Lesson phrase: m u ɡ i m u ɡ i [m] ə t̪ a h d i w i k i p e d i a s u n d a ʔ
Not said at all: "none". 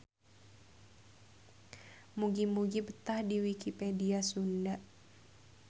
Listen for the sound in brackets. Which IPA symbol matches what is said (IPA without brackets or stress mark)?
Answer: b